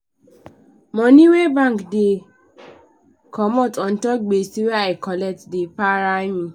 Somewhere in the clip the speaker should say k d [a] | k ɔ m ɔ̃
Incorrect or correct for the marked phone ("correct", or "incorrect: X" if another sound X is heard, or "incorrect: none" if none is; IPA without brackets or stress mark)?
incorrect: e